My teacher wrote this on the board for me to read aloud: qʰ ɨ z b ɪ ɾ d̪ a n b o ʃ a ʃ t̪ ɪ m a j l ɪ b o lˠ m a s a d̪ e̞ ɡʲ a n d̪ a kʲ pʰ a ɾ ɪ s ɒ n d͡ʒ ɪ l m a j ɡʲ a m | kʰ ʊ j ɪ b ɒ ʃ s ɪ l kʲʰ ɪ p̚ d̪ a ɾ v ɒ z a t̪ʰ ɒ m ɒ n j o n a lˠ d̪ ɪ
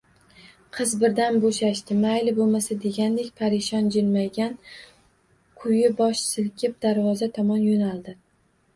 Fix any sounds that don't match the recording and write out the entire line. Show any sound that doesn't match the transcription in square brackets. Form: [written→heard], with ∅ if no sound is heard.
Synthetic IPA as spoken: qʰ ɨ z b ɪ ɾ d̪ a n b o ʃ a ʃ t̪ ɪ m a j l ɪ b o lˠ m a s a d̪ e̞ ɡʲ a n d̪ [a→e] kʲ pʰ a ɾ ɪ [s→ʃ] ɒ n d͡ʒ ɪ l m a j ɡʲ a [m→n] | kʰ ʊ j ɪ b ɒ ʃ s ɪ l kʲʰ ɪ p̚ d̪ a ɾ v ɒ z a t̪ʰ ɒ m ɒ n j o n a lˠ d̪ ɪ